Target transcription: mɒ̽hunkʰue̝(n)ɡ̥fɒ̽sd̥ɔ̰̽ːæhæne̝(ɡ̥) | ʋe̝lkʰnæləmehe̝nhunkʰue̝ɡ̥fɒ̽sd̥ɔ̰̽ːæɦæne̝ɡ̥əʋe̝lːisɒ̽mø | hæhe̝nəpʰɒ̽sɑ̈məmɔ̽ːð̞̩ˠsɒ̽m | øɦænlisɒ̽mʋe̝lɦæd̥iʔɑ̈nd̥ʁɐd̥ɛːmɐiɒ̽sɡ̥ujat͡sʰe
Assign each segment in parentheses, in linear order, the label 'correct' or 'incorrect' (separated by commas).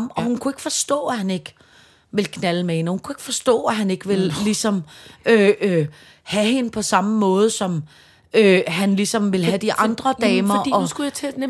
incorrect, correct